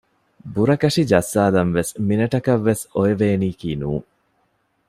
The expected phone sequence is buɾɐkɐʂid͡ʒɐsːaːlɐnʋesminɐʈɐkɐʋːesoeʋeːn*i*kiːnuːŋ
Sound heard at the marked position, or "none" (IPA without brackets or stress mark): iː